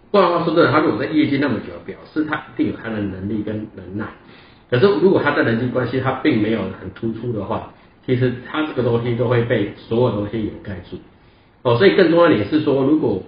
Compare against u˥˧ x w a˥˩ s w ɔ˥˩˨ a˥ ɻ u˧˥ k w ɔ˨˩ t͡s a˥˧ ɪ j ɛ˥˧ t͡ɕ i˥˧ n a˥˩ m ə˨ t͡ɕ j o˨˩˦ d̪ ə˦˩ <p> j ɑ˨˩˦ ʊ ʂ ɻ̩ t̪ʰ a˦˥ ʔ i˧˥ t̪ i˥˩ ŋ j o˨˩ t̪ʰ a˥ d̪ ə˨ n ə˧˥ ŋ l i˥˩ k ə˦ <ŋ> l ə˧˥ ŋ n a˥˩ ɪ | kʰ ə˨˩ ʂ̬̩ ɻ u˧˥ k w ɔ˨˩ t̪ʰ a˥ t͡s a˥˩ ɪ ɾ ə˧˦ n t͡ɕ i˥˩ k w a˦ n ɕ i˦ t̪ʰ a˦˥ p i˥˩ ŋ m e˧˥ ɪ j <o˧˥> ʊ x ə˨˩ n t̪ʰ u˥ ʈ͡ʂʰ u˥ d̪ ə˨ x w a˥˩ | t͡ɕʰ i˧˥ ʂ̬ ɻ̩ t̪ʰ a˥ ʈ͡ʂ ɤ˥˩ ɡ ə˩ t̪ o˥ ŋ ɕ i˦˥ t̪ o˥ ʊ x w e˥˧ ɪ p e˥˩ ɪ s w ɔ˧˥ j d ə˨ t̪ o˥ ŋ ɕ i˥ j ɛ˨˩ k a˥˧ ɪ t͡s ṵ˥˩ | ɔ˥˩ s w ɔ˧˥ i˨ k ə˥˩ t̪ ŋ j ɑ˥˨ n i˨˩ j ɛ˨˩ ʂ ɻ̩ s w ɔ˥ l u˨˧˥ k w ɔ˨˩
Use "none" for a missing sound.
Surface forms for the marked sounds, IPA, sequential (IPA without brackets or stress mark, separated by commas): p, n, o˨˩